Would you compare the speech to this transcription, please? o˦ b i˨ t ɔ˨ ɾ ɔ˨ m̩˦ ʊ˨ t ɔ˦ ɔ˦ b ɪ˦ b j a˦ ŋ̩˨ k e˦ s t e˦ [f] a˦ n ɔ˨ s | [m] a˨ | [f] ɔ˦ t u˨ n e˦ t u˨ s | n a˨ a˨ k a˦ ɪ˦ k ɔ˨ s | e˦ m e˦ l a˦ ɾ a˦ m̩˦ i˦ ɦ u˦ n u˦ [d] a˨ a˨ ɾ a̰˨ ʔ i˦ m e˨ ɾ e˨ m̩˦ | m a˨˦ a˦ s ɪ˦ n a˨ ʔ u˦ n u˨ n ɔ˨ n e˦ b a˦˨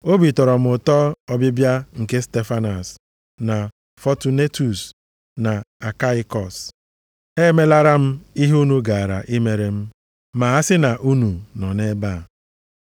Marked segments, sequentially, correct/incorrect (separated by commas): correct, incorrect, correct, incorrect